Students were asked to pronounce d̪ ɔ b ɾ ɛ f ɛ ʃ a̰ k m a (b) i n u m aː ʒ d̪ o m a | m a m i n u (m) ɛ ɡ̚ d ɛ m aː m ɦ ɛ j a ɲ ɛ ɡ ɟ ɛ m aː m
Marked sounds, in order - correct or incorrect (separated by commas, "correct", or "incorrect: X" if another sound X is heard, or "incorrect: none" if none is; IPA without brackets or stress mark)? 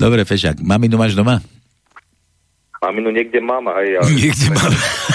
incorrect: m, incorrect: ɲ